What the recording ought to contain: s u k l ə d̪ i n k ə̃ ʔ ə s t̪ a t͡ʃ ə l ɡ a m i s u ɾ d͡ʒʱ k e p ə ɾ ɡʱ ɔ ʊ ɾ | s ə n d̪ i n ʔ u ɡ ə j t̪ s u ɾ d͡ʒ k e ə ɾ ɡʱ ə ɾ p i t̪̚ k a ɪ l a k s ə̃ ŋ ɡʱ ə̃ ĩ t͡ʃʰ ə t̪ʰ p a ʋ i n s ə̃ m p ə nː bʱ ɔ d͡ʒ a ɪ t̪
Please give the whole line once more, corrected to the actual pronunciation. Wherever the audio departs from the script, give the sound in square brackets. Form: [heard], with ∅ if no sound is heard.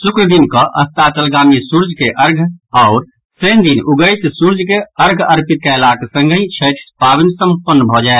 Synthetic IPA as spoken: s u k [ɾ] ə d̪ i n k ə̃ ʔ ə s t̪ a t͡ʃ ə l ɡ a m i s u ɾ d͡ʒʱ k e [ʔ] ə ɾ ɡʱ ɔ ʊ ɾ | s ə n d̪ i n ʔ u ɡ ə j t̪ s u ɾ d͡ʒ k e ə ɾ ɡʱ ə ɾ p i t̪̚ k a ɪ l a k s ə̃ ŋ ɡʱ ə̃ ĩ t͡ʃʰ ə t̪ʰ p a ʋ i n s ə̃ m p ə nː bʱ ɔ d͡ʒ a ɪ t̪